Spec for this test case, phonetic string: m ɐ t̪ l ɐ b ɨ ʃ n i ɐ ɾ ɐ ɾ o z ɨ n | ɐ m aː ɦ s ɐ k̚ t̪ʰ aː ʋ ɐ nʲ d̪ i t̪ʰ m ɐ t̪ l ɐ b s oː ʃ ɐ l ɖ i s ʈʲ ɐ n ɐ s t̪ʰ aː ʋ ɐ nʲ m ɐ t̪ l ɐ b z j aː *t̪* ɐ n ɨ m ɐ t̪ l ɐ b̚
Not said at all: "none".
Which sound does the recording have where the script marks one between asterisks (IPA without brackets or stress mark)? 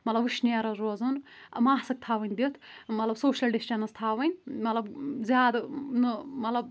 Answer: d̪